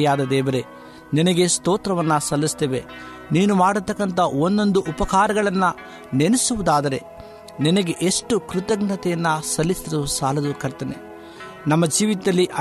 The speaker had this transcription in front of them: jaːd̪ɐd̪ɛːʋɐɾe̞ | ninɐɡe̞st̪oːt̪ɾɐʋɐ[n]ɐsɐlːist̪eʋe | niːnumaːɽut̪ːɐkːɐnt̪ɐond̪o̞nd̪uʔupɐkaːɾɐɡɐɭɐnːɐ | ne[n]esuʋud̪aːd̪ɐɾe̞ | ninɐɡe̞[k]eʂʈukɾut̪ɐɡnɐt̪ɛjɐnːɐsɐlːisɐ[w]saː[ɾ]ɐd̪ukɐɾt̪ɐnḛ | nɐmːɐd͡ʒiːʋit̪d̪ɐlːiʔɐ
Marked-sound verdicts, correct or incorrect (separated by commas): incorrect, correct, incorrect, incorrect, incorrect